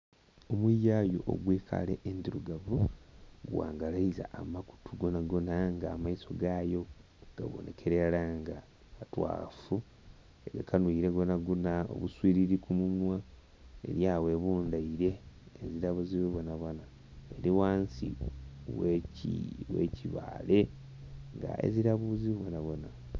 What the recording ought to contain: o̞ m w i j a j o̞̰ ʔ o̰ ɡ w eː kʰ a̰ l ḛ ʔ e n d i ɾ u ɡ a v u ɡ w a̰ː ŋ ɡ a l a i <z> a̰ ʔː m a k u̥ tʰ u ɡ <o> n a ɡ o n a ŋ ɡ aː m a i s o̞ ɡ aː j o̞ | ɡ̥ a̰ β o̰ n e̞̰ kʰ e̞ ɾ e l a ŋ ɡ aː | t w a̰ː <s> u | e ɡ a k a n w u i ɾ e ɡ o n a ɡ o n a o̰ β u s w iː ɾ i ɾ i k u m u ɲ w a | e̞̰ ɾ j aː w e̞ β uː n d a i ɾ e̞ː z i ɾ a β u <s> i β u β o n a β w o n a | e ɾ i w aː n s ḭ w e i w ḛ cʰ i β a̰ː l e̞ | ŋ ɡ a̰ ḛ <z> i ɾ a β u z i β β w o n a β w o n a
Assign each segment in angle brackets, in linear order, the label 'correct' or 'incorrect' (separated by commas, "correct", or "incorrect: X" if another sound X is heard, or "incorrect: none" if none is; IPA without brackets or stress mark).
correct, correct, incorrect: f, incorrect: z, correct